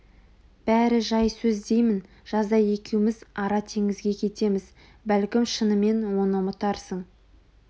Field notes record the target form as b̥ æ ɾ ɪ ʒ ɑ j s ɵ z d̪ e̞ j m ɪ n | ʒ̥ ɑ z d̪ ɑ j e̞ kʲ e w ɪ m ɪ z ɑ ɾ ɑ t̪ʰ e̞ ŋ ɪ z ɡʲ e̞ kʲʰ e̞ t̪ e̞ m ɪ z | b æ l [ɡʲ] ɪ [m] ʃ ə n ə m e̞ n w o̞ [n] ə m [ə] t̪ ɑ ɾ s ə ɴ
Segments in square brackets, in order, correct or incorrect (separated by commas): incorrect, correct, correct, correct